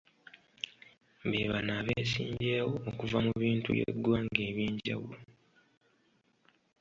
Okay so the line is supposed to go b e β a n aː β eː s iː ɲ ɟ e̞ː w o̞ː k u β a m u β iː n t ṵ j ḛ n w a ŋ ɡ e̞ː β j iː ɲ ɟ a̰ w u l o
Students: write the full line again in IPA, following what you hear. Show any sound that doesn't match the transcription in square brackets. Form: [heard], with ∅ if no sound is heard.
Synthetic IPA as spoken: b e β a n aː β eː s iː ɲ ɟ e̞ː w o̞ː k u [v] a m u β iː n t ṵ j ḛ [d] w a ŋ ɡ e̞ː β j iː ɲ ɟ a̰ w u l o